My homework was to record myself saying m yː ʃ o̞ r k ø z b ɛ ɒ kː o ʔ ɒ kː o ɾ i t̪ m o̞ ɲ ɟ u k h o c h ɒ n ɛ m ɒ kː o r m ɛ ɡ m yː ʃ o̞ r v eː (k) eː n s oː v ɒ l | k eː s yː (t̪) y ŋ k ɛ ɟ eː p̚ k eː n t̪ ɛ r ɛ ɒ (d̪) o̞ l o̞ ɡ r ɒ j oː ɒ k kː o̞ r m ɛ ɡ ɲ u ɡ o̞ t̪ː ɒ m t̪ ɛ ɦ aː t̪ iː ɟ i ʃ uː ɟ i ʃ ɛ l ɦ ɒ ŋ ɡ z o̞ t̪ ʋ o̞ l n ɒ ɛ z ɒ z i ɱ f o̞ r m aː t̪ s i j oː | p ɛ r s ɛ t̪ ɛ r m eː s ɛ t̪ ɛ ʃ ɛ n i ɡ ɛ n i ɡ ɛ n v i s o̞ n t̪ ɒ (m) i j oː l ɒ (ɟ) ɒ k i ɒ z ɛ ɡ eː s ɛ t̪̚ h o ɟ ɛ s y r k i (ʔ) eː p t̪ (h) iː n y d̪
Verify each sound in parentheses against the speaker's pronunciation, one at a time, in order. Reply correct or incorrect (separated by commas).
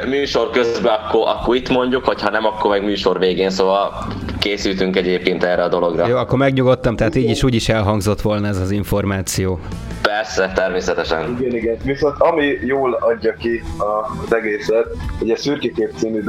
incorrect, correct, correct, correct, incorrect, incorrect, incorrect